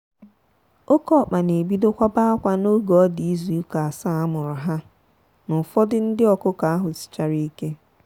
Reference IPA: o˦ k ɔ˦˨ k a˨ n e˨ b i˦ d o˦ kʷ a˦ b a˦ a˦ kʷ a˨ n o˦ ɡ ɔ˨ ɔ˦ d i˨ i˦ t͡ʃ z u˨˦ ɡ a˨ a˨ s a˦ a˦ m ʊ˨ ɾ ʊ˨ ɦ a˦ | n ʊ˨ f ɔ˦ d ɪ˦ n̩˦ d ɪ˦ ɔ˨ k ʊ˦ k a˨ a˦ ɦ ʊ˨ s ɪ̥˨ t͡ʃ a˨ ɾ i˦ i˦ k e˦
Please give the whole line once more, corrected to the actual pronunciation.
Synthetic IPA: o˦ k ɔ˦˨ k͡p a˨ n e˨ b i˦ d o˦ kʷ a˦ b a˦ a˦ kʷ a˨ n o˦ ɡ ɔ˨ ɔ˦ d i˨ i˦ z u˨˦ k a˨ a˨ s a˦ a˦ m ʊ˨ ɾ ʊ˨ ɦ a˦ | n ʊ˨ f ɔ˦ d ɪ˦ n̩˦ d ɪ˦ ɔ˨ k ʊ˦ k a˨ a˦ ɦ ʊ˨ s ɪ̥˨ t͡ʃ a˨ ɾ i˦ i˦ k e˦